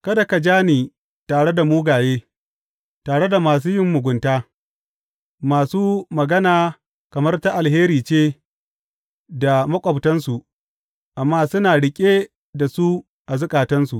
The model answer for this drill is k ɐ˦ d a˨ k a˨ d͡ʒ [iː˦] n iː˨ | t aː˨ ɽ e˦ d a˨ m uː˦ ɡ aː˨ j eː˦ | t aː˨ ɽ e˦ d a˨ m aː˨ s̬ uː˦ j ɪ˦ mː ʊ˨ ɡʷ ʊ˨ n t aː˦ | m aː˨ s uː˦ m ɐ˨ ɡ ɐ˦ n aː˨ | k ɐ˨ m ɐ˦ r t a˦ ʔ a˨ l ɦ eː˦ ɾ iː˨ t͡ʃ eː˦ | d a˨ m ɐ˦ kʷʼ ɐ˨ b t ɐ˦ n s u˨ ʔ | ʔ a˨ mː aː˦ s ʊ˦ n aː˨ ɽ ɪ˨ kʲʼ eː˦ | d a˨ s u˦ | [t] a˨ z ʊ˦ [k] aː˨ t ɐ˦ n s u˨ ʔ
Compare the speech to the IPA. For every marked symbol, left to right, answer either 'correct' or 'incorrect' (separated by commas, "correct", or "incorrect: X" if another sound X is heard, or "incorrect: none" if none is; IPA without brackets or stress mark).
incorrect: aː˦, incorrect: ʔ, incorrect: kʼ